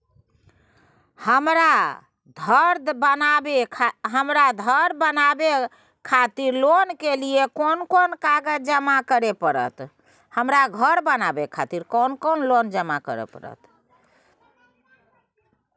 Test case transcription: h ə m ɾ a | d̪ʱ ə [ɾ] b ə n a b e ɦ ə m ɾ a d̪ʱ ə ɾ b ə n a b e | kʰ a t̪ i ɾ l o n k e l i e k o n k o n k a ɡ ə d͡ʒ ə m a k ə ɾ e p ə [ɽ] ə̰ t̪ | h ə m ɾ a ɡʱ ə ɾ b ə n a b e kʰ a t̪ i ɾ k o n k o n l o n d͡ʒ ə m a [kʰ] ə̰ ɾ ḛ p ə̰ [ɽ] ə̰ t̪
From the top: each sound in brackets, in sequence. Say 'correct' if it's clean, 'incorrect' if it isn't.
correct, incorrect: ɾ, incorrect: k, incorrect: ɾ

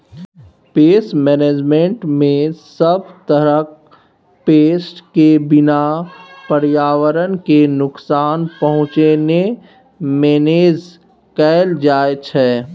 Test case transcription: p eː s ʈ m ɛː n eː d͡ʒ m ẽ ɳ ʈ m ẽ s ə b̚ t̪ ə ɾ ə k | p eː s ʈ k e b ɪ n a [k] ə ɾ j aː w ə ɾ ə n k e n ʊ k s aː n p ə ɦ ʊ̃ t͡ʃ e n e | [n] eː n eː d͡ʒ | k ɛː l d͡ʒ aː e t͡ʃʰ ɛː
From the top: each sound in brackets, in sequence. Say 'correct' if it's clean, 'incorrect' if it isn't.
incorrect: p, incorrect: m

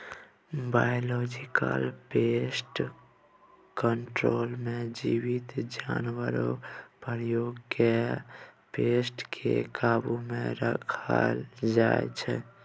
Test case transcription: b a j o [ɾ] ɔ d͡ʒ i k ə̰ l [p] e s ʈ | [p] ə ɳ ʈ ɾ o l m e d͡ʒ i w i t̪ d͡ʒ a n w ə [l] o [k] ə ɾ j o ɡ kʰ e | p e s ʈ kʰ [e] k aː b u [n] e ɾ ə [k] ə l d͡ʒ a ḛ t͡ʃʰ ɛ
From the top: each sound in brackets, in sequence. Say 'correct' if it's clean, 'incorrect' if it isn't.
incorrect: l, correct, incorrect: k, incorrect: ɾ, incorrect: p, correct, incorrect: m, incorrect: kʰ

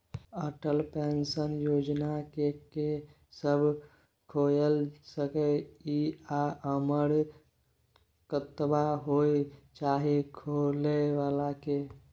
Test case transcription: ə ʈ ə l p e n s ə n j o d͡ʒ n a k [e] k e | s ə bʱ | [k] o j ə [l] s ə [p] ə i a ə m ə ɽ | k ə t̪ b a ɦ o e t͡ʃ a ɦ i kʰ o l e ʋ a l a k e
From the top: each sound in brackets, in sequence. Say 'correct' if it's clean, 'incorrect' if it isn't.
correct, incorrect: kʰ, correct, incorrect: k

